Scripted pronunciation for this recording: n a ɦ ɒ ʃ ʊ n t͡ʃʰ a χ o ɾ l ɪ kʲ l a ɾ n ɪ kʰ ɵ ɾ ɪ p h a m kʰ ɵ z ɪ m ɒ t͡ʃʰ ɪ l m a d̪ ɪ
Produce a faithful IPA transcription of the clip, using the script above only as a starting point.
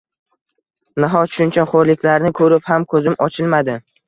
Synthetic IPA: n a ɦ ɒ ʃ ʊ n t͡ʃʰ a χ o ɾ l ɪ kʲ l a ɾ n ɪ kʰ ɵ ɾ ɪ p h a m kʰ ɵ z ɪ m ɒ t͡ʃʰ ɪ l m a d̪ ɪ